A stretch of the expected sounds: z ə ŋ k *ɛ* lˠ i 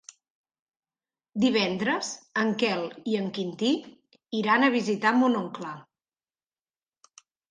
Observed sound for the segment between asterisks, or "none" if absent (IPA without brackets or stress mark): ɛ